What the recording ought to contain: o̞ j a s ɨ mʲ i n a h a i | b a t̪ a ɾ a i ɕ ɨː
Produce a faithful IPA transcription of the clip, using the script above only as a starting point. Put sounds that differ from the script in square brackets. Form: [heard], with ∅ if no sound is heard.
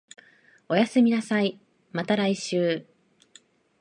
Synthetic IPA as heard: o̞ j a s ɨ mʲ i n a [s] a i | [m] a t̪ a ɾ a i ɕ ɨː